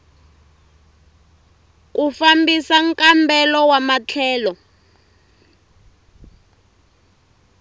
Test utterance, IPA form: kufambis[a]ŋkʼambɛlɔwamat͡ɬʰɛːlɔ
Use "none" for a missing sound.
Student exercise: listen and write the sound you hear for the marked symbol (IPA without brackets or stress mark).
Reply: a